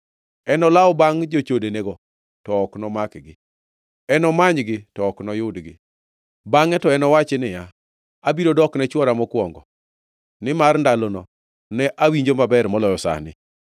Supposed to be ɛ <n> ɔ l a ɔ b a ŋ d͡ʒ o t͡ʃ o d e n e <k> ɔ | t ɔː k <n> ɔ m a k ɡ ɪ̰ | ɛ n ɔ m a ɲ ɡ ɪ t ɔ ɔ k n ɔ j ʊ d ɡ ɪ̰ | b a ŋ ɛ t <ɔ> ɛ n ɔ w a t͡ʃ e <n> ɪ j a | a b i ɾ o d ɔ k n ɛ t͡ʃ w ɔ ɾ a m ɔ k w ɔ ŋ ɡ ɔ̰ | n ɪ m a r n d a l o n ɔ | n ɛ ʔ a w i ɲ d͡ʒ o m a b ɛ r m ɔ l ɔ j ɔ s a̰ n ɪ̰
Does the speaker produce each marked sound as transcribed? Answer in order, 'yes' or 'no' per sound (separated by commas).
yes, no, yes, yes, yes